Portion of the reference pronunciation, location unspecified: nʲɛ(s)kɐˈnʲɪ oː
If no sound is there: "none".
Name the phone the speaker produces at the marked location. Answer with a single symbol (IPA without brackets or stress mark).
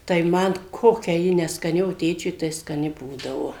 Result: s